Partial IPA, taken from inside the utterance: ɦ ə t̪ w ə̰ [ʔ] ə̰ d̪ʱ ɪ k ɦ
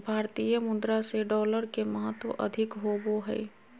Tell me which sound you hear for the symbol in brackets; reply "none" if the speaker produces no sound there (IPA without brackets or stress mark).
ʔ